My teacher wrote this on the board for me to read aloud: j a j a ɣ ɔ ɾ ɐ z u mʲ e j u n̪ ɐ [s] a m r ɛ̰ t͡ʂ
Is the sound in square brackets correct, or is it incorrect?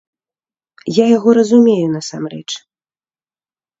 correct